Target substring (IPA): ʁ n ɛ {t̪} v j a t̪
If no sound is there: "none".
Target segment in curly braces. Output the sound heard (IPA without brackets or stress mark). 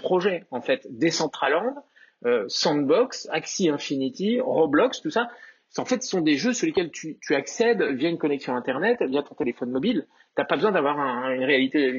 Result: t̪